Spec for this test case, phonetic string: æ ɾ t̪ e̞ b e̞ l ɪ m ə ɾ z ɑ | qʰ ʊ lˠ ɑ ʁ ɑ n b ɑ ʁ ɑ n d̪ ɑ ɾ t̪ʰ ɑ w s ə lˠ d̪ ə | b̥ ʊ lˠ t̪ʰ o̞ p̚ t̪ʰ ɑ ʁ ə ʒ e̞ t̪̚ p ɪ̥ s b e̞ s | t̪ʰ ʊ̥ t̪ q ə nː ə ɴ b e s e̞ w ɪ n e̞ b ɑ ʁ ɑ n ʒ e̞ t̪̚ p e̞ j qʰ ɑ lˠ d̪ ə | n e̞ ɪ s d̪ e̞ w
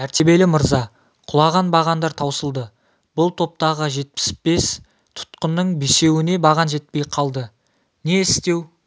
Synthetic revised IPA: æ ɾ t̪ e̞ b e̞ l ɪ m ə ɾ z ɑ | qʰ ʊ lˠ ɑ ʁ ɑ n b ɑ ʁ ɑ n d̪ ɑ ɾ t̪ʰ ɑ w s ə lˠ d̪ ə | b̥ ʊ lˠ t̪ʰ o̞ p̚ t̪ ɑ ʁ ə ʒ e̞ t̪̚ p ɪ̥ s b e̞ s | t̪ʰ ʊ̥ t̪ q ə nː ə ɴ b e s e̞ w ɪ n e̞ b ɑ ʁ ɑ n ʒ e̞ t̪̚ p e̞ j qʰ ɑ lˠ d̪ ə | n e̞ ɪ s t̪ e̞ w